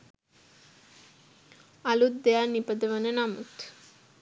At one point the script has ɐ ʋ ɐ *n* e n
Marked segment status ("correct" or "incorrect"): correct